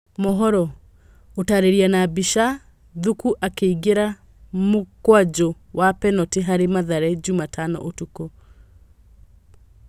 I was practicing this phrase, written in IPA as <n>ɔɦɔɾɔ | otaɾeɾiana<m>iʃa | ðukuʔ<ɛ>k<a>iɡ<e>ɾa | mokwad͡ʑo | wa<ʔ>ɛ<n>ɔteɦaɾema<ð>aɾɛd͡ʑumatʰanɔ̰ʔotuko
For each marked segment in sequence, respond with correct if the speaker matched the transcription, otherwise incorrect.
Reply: incorrect: m, incorrect: b, incorrect: a, incorrect: e, correct, incorrect: p, correct, correct

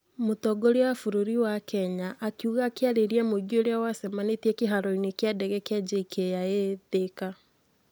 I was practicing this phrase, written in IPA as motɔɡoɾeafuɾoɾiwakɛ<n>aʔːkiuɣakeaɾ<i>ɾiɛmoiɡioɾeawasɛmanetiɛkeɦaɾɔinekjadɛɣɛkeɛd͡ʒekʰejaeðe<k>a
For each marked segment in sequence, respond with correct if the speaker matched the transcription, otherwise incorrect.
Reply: incorrect: ɲ, incorrect: e, correct

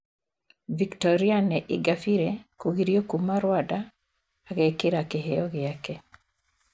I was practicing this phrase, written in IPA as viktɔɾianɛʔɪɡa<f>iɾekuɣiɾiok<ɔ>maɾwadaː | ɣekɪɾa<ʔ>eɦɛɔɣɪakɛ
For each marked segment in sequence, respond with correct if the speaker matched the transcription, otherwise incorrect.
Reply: correct, incorrect: u, incorrect: k

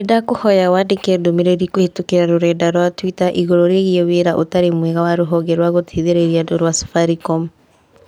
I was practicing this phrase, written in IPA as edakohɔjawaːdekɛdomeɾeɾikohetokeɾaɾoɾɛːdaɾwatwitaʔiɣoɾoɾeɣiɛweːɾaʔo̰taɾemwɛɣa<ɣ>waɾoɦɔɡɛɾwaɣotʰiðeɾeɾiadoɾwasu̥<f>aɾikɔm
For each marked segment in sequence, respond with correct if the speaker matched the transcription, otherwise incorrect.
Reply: incorrect: none, correct

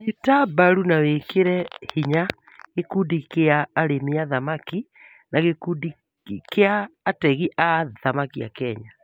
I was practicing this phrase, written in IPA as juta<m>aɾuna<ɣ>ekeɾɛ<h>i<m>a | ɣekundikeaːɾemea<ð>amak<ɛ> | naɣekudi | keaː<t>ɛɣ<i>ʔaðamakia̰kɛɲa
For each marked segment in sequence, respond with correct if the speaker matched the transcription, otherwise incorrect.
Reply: incorrect: b, incorrect: w, correct, incorrect: ɲ, correct, incorrect: i, correct, correct

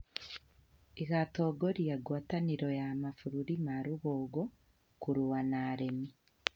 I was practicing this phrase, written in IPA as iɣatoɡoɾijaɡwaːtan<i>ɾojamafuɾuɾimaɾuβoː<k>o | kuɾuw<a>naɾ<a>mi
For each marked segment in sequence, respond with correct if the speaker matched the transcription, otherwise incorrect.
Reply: correct, incorrect: ɡ, correct, incorrect: e

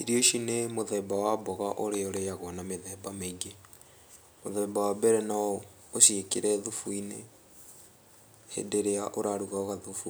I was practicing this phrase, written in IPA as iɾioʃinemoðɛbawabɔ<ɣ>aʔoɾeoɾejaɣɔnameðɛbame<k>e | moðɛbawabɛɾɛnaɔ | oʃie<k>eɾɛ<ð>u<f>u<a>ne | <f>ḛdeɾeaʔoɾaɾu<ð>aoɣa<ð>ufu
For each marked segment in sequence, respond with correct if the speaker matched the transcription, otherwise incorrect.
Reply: correct, incorrect: ɡ, correct, correct, correct, incorrect: i, incorrect: h, incorrect: ɣ, correct

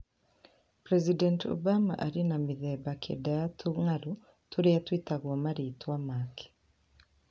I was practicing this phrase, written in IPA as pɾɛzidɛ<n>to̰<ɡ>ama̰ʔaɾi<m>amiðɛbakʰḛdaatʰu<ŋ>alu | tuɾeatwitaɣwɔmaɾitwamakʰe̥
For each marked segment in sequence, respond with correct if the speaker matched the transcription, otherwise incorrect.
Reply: correct, incorrect: b, incorrect: n, correct

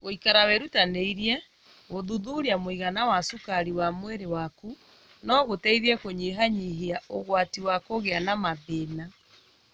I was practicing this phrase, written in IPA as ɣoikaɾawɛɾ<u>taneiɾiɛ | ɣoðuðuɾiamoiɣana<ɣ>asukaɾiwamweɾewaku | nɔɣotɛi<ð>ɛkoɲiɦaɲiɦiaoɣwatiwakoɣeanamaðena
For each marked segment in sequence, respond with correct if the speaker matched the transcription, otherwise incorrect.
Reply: correct, incorrect: w, correct

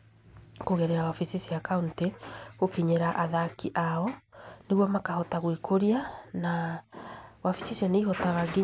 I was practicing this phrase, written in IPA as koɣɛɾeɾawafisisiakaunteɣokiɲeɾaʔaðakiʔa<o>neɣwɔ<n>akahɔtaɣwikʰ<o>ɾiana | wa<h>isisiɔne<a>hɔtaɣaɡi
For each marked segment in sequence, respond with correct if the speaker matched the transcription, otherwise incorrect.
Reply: incorrect: ɔ, incorrect: m, correct, incorrect: f, incorrect: i

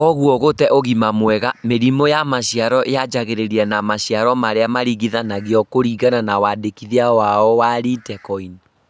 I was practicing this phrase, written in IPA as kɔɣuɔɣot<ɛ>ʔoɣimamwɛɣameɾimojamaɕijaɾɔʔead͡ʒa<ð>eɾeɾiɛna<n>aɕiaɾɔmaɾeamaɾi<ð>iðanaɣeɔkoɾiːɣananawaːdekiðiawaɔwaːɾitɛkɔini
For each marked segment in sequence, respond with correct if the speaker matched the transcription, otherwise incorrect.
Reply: correct, incorrect: ɣ, incorrect: m, incorrect: ɣ

